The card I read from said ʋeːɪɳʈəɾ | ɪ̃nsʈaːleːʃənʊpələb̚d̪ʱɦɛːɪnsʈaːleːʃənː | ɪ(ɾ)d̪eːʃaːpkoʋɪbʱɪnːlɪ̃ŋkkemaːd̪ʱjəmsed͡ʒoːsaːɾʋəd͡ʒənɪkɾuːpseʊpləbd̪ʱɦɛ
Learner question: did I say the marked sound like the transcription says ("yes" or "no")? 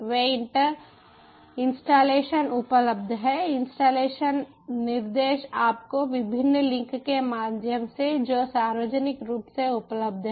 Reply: yes